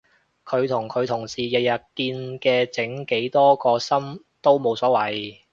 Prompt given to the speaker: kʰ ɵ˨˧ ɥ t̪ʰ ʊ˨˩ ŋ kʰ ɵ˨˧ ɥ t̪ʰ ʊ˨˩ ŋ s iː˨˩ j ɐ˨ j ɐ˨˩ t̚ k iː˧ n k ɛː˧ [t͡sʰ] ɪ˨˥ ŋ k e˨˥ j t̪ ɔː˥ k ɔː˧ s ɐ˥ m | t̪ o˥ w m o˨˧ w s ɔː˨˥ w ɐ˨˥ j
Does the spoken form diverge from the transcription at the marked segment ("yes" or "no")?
yes